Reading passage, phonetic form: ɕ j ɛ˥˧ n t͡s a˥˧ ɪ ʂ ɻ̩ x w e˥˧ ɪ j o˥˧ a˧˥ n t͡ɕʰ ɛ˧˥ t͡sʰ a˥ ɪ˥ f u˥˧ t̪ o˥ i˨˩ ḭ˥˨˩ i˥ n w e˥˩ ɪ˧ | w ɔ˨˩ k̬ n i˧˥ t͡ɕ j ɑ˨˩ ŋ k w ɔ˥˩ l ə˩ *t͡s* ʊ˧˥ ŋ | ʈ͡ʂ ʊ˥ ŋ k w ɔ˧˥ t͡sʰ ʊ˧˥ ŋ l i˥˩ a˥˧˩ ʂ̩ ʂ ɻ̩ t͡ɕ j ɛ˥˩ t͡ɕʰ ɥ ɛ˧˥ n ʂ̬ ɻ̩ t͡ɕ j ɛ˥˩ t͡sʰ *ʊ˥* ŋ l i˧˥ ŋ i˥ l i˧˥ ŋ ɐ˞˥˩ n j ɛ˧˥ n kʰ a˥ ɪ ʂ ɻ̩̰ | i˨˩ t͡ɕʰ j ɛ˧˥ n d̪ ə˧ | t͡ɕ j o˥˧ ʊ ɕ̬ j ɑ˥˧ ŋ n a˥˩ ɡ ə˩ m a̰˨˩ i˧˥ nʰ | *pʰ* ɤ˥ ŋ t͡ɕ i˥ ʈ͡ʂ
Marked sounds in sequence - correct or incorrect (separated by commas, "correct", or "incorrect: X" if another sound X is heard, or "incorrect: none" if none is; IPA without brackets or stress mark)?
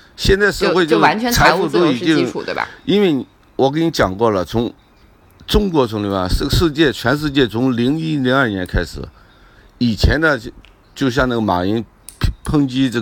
incorrect: t͡sʰ, incorrect: ʊ˧˥, correct